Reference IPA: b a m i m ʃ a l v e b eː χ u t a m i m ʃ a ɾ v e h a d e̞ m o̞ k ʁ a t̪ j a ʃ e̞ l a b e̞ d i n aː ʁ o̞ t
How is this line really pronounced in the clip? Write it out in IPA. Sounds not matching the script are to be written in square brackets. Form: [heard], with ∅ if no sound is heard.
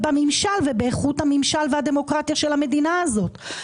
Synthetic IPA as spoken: b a m i m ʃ a l v e b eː χ u t a m i m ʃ a [l] v e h a d e̞ m o̞ k ʁ a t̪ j a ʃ e̞ l a [m] e̞ d i n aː [z] o̞ t